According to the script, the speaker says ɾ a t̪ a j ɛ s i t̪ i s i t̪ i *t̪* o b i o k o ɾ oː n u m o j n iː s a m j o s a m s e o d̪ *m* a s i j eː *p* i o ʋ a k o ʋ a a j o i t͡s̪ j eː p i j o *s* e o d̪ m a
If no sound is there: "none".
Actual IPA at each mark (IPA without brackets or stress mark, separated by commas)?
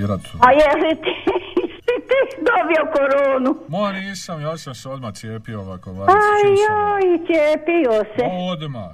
d̪, m, p, s